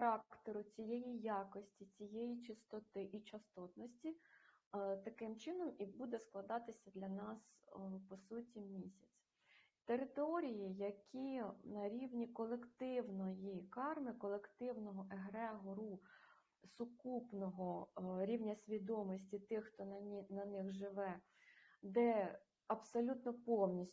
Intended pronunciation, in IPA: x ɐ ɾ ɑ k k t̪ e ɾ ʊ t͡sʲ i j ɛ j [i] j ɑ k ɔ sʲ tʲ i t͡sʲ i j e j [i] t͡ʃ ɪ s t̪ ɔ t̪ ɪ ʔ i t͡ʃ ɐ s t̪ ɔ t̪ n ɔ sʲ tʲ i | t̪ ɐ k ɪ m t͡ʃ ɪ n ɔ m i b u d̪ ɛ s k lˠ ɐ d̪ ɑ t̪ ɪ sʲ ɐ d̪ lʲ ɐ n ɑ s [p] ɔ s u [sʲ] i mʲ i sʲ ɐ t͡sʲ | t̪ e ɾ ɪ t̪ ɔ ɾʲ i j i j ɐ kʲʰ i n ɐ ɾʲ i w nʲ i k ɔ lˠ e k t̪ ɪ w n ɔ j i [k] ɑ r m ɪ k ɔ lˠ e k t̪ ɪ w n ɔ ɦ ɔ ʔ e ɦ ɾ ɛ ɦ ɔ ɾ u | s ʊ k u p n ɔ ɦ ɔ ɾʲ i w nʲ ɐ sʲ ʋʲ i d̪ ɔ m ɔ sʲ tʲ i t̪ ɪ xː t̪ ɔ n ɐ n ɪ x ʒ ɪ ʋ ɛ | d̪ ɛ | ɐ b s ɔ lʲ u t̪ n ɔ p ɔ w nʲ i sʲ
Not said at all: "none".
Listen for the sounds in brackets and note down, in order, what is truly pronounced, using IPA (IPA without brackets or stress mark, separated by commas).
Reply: i, i, p, tʲ, k